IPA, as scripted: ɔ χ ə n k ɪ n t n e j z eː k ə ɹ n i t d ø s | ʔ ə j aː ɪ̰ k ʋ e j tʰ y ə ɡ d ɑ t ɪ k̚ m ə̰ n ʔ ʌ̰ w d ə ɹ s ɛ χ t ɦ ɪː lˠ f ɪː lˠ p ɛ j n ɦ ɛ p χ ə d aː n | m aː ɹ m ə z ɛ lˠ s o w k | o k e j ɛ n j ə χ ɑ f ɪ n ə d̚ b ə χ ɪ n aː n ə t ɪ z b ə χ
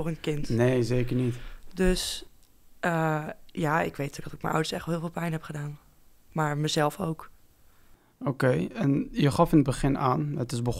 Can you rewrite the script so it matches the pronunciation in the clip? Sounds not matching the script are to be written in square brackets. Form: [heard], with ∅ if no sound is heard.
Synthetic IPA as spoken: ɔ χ ə n k ɪ n t n e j z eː k ə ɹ n i t d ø s | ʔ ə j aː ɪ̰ k ʋ e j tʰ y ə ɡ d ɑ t ɪ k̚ m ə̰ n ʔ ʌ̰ w d ə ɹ s ɛ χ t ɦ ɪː lˠ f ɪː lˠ p ɛ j n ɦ ɛ p χ ə d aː n | m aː ɹ m ə z ɛ lˠ [f] o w k | o k e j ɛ n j ə χ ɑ f ɪ n ə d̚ b ə χ ɪ n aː n ə t ɪ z b ə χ